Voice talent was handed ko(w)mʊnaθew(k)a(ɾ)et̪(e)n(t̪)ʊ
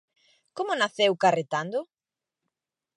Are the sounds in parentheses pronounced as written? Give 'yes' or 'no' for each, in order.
no, yes, no, no, no

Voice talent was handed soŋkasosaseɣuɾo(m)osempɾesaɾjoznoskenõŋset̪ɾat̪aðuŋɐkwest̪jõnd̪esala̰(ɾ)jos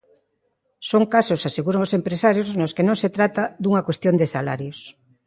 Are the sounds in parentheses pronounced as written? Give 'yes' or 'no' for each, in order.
no, yes

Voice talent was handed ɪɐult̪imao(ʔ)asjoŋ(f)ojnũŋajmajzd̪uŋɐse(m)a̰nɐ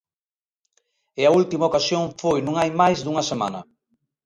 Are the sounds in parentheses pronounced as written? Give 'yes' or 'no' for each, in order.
no, yes, yes

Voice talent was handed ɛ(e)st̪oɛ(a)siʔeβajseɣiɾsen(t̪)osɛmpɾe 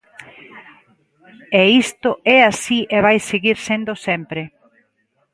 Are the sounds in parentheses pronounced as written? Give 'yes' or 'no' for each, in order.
no, yes, no

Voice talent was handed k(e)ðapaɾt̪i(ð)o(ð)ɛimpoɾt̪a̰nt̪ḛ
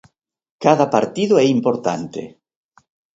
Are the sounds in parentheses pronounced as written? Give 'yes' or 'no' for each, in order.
no, yes, no

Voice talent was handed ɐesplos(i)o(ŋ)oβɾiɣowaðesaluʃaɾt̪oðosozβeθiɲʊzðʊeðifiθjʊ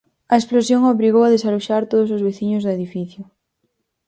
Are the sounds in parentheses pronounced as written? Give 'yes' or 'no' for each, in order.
no, yes

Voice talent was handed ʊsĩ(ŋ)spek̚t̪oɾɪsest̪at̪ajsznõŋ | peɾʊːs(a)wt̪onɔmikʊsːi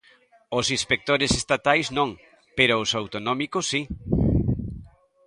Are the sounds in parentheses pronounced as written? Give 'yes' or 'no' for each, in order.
no, yes

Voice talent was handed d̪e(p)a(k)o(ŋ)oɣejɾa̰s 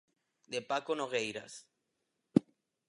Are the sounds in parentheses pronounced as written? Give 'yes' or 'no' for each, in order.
yes, yes, no

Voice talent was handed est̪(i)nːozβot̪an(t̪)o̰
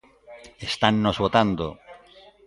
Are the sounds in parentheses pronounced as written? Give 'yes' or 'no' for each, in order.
no, no

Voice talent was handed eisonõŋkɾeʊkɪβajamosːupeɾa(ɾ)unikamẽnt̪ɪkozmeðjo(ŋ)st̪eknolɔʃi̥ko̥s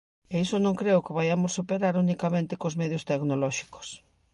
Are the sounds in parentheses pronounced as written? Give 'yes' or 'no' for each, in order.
yes, no

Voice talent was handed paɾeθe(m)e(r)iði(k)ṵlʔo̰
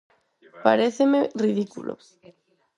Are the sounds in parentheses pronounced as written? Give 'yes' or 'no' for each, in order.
yes, yes, yes

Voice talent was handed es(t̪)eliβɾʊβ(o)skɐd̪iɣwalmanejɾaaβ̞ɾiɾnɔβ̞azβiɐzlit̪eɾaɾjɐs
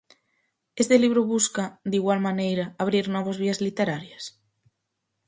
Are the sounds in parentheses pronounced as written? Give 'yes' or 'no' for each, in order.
yes, no

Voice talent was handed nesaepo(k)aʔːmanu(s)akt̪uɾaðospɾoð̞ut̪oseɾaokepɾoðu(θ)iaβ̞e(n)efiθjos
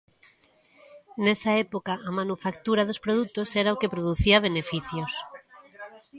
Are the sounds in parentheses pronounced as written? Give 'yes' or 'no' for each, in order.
yes, no, yes, yes

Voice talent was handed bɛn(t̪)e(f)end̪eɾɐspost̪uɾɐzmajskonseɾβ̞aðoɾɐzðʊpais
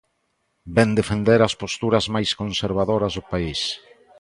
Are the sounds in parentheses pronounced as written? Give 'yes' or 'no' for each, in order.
no, yes

